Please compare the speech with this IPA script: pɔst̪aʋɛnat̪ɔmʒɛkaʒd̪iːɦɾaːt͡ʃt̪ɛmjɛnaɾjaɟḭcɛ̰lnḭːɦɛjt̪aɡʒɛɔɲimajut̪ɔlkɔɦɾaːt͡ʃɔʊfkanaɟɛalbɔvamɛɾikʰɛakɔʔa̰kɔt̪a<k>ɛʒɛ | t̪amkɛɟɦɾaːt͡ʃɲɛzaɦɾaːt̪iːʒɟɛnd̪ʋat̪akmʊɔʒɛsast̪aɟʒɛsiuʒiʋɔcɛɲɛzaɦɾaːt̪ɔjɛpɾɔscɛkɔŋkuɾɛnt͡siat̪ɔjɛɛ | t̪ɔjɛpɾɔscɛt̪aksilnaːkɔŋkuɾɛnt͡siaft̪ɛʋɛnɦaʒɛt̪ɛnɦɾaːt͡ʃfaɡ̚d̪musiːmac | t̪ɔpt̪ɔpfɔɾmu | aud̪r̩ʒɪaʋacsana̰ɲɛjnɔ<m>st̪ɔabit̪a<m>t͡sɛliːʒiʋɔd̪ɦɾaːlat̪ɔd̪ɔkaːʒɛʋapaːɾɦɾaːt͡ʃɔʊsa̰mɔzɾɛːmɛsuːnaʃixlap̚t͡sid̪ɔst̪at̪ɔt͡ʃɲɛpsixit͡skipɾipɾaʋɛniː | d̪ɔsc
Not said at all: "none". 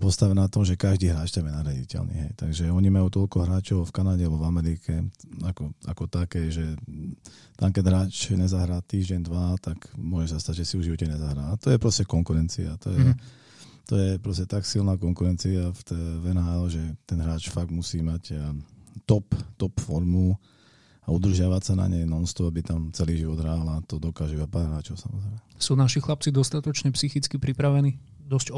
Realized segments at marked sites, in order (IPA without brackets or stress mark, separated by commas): k, n, m